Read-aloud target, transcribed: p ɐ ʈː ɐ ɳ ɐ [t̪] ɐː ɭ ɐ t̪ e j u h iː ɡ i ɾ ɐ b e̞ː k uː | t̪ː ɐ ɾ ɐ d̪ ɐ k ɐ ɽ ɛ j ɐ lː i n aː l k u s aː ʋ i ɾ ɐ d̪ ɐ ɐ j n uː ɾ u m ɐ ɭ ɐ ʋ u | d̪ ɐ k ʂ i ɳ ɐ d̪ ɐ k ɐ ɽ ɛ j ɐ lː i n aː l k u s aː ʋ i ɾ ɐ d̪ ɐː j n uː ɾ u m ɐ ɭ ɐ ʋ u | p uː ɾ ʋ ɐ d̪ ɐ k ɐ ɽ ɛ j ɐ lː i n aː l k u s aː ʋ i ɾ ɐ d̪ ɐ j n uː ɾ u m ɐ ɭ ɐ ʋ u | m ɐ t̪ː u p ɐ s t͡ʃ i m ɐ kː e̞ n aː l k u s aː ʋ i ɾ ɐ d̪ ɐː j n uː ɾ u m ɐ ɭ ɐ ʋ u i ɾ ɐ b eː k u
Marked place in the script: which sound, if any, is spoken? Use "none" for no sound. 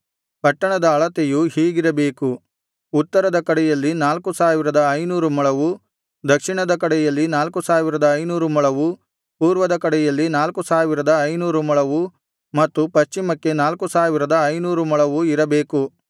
d̪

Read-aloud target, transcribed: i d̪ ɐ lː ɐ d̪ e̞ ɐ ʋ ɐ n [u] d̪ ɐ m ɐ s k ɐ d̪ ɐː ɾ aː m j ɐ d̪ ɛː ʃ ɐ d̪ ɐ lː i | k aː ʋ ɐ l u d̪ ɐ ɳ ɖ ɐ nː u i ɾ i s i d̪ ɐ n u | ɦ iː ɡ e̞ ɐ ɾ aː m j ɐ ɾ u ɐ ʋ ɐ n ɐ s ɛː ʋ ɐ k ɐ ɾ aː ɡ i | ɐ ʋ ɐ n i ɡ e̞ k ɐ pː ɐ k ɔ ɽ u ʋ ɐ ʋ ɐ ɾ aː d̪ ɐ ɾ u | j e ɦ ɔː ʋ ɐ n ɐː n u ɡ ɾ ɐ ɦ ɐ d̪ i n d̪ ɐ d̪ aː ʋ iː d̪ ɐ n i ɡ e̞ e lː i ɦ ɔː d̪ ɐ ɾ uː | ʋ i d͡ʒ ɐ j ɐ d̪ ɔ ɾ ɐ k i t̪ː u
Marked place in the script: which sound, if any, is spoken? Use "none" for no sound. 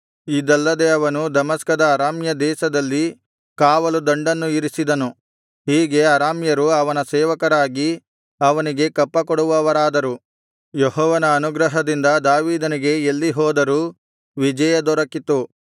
u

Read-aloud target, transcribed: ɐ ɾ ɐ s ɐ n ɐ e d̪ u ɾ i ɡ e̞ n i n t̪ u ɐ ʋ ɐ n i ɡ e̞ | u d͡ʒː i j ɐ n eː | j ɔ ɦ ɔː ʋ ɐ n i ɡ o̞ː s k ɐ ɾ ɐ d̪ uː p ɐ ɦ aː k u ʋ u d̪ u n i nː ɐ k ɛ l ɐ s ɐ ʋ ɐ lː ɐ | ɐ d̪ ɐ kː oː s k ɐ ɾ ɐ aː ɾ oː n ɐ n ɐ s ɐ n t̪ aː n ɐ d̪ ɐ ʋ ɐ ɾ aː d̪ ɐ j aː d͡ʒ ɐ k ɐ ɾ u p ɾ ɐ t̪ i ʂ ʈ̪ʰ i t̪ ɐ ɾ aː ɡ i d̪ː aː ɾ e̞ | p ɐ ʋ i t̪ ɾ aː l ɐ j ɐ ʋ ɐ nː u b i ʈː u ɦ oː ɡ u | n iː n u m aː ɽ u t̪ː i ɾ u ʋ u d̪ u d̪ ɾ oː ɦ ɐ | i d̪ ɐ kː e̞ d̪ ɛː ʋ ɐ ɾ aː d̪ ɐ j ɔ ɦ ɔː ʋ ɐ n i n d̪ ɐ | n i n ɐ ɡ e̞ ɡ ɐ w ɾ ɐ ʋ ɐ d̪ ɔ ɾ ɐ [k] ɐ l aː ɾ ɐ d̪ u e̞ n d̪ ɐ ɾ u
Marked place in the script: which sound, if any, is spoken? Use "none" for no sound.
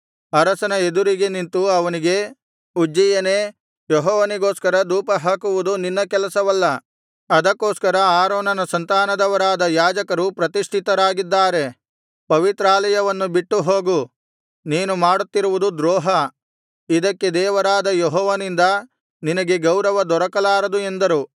k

